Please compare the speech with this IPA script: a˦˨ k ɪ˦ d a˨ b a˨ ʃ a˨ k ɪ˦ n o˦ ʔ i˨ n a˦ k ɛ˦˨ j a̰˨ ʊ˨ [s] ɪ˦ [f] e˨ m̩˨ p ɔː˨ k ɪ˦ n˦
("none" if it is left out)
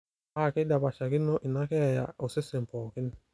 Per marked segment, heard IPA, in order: s, s

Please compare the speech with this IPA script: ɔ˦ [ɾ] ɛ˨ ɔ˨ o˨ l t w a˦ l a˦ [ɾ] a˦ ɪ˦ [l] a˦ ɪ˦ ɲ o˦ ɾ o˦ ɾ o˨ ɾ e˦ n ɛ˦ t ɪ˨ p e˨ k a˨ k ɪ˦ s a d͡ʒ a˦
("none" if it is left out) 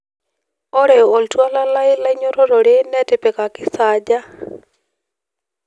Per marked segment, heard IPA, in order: ɾ, l, l

